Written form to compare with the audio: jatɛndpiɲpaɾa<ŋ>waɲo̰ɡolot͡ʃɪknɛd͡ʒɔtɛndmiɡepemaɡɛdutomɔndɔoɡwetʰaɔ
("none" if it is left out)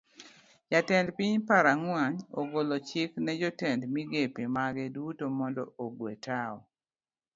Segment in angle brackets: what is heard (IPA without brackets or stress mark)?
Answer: ŋ